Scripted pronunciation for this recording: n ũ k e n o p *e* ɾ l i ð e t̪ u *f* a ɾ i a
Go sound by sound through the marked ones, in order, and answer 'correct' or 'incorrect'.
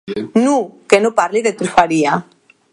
incorrect: a, correct

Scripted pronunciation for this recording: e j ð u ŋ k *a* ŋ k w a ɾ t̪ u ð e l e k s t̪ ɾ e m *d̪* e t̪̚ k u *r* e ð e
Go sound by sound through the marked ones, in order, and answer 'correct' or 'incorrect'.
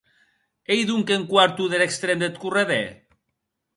incorrect: e, correct, correct

